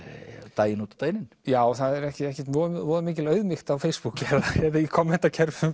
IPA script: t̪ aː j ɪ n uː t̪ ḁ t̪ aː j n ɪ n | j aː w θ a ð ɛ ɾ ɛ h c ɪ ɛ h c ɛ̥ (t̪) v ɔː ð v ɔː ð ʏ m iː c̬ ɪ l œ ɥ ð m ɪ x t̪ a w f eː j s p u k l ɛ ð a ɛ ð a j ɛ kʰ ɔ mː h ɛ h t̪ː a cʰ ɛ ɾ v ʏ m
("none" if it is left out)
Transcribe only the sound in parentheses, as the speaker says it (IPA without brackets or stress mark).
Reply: t̪